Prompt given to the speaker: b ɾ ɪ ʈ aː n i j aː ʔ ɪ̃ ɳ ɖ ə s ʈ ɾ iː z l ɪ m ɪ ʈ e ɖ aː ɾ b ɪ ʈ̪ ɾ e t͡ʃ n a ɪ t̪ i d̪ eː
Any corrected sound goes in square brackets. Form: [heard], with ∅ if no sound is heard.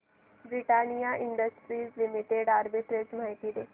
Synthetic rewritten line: b ɾ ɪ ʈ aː n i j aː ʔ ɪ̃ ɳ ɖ ə s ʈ ɾ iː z l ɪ m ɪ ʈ e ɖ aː ɾ b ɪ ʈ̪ ɾ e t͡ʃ [m] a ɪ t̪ i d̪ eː